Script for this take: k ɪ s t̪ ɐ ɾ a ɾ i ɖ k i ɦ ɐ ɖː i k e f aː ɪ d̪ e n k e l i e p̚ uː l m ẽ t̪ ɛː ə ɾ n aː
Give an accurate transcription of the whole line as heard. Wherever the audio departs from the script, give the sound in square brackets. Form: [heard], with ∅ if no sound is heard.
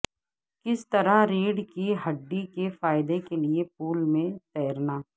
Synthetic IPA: k ɪ s t̪ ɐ ɾ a ɾ [iː] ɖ k i ɦ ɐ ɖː i k e f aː ɪ d̪ e [∅] k e l i e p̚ uː l m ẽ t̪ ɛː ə ɾ n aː